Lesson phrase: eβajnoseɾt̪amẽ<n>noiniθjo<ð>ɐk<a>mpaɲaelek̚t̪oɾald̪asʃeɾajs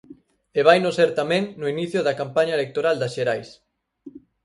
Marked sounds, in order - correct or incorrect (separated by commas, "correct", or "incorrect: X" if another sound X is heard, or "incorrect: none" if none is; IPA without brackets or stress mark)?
incorrect: ŋ, correct, correct